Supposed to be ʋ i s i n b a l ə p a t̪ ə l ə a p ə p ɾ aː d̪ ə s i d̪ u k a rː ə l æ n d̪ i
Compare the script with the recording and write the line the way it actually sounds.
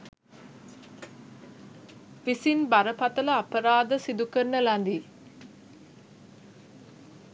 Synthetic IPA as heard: ʋ i s i n b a ɾ ə p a t̪ ə l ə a p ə ɾ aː d̪ ə s i d̪ u k ə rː ə l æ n d̪ i